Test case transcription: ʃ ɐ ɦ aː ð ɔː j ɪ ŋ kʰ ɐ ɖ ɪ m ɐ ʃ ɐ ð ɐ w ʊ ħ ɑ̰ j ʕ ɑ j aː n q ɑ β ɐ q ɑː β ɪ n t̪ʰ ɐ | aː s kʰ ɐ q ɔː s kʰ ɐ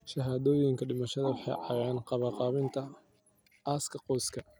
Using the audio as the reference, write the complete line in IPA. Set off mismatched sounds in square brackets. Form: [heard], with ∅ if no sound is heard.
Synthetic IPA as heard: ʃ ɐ ɦ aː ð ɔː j ɪ ŋ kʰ ɐ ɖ ɪ m ɐ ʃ ɐ ð ɐ w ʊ ħ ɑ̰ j ʕ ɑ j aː n q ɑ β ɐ q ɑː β ɪ n t̪ʰ ɐ | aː s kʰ ɐ q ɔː s kʰ ɐ